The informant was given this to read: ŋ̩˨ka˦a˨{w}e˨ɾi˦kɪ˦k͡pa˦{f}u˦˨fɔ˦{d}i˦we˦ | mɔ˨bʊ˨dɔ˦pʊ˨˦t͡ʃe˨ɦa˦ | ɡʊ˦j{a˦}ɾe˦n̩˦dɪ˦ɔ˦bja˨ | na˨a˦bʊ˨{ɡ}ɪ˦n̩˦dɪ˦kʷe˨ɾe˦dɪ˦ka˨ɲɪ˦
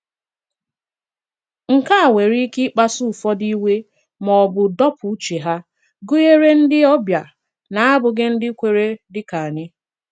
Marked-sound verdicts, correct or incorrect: correct, incorrect, correct, incorrect, correct

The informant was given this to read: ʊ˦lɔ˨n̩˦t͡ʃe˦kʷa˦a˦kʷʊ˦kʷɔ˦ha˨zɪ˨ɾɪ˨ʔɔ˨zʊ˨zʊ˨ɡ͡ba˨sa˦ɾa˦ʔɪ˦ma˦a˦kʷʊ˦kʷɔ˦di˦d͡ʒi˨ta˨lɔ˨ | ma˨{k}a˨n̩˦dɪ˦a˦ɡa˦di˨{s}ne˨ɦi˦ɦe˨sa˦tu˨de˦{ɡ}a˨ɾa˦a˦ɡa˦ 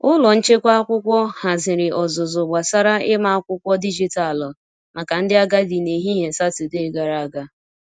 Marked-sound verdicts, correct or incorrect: correct, incorrect, correct

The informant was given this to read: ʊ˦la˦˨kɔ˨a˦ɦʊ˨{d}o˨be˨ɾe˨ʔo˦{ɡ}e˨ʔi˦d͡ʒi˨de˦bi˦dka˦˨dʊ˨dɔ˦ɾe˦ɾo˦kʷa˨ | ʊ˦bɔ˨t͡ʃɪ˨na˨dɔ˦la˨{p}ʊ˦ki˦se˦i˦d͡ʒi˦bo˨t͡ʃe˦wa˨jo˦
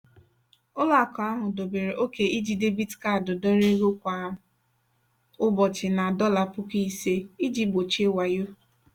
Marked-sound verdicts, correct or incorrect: correct, incorrect, correct

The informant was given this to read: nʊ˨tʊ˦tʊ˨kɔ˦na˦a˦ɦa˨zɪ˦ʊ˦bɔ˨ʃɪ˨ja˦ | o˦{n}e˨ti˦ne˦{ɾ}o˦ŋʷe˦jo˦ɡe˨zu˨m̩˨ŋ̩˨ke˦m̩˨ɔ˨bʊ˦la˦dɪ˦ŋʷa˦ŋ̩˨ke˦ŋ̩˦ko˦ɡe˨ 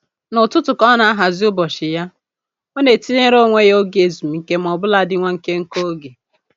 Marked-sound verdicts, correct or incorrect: correct, correct

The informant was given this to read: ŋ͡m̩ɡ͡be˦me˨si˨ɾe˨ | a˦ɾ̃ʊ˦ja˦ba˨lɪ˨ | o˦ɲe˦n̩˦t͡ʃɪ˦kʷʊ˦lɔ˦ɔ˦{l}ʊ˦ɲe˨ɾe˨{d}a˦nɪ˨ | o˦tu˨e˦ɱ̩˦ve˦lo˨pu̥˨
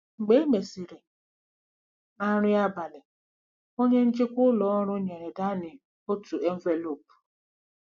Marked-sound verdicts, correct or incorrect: incorrect, correct

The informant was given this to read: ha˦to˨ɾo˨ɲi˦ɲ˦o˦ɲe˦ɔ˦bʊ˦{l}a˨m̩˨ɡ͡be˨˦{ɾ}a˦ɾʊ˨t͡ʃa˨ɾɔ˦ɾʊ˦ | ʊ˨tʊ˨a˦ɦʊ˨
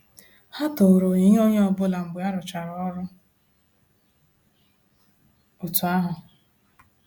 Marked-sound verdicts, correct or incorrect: correct, incorrect

